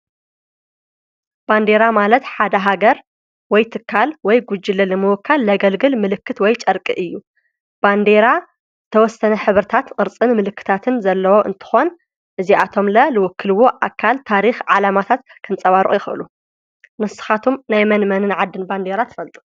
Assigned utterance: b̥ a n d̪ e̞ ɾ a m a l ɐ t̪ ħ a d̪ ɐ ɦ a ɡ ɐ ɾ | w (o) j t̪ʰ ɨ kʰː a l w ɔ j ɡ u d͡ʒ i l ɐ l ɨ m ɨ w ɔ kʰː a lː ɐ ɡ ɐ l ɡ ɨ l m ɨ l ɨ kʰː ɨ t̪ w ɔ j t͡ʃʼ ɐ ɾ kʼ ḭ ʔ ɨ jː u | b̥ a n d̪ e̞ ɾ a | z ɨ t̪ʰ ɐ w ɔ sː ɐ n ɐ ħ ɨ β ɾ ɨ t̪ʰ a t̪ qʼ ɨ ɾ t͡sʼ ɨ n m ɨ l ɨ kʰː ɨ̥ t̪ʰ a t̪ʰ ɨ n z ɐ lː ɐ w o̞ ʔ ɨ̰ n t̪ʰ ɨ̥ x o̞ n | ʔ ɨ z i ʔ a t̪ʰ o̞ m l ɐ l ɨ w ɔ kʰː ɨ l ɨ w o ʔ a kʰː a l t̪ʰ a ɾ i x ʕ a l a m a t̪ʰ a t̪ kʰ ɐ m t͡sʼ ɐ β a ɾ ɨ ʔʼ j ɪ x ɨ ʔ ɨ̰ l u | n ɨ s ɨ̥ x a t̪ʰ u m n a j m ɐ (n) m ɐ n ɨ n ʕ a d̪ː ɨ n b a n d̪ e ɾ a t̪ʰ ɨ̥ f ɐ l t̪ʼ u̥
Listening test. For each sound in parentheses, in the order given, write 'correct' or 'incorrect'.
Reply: incorrect: ɔ, correct

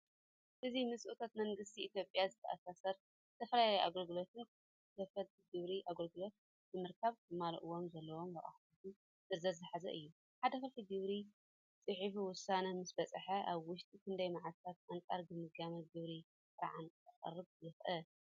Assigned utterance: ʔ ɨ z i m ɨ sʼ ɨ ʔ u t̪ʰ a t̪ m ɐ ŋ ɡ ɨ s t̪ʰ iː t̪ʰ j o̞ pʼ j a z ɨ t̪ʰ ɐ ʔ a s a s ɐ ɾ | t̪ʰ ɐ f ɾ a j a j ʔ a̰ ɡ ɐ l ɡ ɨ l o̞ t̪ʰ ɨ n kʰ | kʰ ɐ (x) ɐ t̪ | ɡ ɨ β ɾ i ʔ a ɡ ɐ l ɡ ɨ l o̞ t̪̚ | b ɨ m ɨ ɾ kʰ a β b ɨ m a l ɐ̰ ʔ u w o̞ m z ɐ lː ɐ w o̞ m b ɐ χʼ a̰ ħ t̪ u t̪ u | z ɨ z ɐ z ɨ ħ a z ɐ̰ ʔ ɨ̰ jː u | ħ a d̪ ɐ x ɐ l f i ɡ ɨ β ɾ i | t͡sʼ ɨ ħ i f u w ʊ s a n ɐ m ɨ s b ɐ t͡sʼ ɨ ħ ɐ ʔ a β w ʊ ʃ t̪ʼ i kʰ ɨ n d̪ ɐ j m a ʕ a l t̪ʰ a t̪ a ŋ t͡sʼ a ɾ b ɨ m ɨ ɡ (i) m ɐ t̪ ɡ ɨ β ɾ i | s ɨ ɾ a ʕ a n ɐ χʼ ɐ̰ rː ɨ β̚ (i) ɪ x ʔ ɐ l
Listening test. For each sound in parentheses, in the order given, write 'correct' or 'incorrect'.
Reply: incorrect: f, incorrect: a, incorrect: j

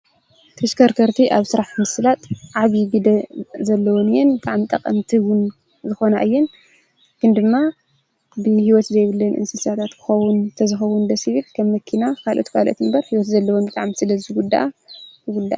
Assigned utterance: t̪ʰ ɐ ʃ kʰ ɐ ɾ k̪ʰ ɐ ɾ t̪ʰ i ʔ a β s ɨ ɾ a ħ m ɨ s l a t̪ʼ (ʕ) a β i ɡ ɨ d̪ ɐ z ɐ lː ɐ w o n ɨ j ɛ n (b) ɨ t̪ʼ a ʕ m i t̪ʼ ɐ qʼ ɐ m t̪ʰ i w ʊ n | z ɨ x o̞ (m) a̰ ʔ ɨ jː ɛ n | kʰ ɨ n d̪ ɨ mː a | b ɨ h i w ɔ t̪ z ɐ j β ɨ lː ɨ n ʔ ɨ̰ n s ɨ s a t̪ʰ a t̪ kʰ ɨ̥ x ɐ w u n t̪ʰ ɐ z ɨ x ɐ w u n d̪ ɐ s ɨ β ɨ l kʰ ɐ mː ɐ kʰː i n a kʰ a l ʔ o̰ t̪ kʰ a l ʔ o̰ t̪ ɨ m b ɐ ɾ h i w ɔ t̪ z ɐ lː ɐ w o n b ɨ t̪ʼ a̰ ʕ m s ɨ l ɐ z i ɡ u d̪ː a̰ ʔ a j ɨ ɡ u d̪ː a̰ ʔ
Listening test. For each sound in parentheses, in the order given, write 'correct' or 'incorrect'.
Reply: correct, correct, incorrect: n

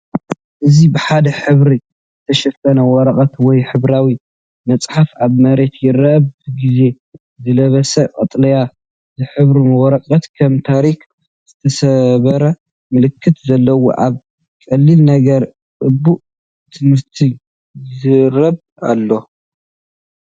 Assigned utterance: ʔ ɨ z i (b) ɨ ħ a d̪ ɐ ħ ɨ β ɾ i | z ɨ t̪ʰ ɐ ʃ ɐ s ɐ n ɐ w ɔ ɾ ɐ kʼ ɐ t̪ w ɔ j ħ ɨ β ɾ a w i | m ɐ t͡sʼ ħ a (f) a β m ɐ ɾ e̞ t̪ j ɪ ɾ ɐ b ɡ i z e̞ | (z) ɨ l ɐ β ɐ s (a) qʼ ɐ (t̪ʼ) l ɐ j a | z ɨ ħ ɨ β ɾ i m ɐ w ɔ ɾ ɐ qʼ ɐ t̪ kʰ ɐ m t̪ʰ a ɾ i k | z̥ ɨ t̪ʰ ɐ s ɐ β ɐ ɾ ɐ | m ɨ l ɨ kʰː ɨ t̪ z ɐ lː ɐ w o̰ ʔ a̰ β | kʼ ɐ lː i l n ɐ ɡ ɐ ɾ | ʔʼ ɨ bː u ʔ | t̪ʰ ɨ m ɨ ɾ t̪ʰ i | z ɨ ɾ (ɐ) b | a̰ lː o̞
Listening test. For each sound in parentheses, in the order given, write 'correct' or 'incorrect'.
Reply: correct, correct, correct, incorrect: ɐ, correct, correct

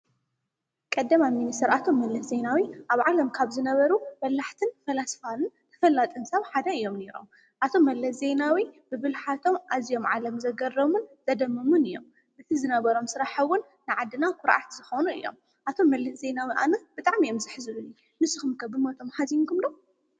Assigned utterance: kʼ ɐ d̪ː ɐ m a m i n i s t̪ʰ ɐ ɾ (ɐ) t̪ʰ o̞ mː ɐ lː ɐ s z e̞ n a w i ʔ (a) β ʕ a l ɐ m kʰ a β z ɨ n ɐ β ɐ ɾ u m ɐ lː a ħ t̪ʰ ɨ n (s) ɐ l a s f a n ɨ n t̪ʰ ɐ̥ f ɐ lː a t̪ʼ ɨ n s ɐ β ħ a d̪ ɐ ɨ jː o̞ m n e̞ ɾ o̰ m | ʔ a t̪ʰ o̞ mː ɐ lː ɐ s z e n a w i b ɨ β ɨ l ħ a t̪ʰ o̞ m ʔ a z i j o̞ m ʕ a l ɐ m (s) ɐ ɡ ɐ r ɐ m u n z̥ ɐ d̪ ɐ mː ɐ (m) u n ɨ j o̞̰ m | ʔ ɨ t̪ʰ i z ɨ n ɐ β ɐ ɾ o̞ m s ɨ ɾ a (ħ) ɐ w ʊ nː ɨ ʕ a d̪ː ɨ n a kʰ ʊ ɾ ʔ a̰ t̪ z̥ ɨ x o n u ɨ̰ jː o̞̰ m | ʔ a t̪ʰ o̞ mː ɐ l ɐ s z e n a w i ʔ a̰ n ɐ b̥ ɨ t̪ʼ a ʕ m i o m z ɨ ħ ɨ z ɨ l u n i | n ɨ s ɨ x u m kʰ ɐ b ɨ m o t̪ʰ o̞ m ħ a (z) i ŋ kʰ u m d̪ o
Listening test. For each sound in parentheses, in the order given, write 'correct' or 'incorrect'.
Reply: incorrect: a, correct, incorrect: f, incorrect: z, correct, correct, correct

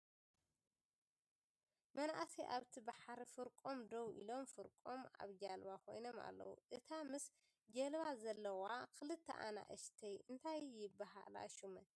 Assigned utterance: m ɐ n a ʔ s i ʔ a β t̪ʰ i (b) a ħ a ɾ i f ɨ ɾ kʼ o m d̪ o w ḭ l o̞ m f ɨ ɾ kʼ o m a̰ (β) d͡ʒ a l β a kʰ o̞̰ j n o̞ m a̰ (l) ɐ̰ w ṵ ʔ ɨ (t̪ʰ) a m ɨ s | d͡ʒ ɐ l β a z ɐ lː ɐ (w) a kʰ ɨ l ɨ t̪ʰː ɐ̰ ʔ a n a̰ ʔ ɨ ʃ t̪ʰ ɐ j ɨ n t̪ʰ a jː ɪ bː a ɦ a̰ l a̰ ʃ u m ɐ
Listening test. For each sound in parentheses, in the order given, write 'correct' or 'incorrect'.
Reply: correct, correct, incorrect: lː, correct, correct

